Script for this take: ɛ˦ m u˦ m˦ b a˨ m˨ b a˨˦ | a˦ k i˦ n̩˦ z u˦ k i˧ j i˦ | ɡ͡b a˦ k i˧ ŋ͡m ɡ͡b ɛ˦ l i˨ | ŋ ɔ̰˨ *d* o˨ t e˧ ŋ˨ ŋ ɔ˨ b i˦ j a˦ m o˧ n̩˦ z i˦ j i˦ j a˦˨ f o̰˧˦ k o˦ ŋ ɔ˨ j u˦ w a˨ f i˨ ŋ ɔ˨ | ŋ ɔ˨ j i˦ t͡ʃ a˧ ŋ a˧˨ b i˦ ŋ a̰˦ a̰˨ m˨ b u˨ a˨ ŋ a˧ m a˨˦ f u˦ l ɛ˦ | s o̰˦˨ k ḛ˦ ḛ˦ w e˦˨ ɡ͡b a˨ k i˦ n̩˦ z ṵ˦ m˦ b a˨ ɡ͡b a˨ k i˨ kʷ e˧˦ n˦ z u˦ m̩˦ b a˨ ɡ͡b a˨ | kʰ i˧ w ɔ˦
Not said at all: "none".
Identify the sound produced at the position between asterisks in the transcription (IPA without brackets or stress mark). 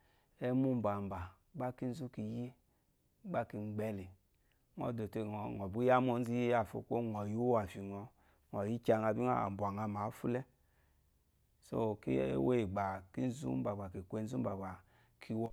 d